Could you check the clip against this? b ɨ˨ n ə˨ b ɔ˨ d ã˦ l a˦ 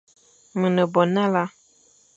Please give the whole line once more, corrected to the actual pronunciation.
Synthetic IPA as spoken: m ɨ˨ n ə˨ b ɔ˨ n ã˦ l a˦